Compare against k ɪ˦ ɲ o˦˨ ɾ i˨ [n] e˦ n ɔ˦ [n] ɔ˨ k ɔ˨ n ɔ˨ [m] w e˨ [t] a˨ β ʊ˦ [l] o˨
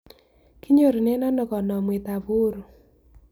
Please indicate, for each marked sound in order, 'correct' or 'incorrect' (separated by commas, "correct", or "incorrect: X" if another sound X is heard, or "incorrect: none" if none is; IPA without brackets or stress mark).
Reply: correct, correct, correct, correct, incorrect: ɾ